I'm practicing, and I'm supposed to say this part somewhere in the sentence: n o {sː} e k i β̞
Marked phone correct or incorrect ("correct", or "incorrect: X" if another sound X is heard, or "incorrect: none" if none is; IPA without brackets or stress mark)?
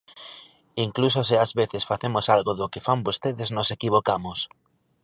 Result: incorrect: s